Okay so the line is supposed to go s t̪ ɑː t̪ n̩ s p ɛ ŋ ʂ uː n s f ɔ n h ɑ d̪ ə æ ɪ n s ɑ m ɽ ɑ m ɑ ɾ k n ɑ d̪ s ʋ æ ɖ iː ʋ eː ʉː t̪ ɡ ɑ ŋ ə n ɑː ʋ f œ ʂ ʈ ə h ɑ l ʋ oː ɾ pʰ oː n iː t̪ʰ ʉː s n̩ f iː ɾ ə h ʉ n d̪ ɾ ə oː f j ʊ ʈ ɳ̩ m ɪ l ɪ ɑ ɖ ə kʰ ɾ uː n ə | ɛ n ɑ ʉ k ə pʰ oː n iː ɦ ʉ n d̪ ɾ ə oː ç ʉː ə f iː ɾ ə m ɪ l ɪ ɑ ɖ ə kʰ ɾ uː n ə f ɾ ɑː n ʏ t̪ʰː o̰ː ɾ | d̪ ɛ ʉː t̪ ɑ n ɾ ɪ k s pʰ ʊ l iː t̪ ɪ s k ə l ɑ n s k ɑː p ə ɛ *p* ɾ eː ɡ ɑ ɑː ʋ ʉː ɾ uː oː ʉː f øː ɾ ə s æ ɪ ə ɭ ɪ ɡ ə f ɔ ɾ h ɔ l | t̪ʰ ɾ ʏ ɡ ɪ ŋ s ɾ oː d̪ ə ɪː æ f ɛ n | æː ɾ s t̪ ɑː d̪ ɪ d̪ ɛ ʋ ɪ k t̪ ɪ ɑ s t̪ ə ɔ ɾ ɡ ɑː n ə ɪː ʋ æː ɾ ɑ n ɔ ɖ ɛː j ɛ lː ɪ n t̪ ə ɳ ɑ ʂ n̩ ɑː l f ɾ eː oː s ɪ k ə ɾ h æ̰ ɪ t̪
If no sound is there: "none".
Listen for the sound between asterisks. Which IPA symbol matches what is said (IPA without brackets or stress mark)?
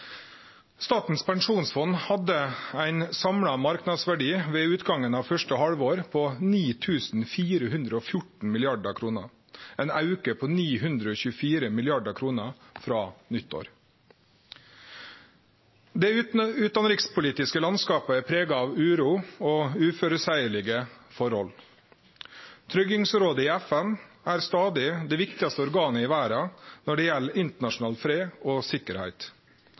pʰ